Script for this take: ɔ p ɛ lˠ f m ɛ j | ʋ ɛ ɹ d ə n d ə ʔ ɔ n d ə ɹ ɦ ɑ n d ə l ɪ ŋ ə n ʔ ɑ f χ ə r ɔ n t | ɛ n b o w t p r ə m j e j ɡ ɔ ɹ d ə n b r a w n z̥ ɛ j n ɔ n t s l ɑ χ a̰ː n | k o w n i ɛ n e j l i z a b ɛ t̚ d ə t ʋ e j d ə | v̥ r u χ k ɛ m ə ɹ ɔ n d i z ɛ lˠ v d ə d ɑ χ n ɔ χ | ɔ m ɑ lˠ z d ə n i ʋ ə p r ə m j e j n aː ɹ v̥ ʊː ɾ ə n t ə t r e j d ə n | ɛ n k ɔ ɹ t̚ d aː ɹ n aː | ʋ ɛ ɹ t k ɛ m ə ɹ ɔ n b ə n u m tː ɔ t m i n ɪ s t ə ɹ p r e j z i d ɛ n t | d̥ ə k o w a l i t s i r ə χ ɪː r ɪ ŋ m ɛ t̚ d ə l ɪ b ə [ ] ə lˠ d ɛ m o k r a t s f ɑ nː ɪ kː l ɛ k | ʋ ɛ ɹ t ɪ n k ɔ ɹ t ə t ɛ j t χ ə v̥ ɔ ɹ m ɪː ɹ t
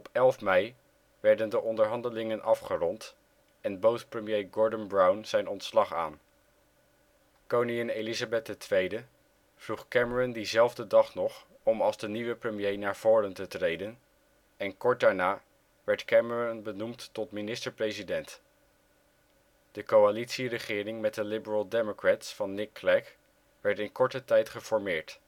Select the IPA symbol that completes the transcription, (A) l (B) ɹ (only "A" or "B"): B